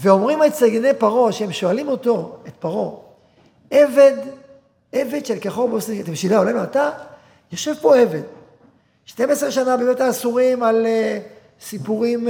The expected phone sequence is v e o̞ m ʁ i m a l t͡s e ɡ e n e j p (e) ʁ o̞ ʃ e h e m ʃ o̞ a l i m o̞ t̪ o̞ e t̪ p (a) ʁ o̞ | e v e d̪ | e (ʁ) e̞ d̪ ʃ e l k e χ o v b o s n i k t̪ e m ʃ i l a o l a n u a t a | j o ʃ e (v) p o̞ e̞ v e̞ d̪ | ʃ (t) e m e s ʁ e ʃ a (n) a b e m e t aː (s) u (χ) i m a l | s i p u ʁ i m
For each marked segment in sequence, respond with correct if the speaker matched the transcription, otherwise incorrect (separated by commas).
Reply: incorrect, correct, incorrect, correct, correct, correct, correct, incorrect